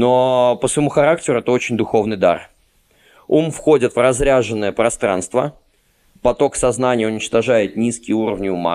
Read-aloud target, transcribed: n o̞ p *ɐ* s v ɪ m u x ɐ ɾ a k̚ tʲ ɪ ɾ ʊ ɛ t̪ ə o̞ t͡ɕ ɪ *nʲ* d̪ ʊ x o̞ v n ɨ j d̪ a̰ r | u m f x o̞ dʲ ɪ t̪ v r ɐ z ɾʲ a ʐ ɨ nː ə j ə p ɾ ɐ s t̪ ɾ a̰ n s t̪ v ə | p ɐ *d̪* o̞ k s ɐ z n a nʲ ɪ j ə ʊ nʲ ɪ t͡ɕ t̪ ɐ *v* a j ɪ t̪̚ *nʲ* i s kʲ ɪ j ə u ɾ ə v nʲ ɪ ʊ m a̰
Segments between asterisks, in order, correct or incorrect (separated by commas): incorrect, correct, incorrect, incorrect, correct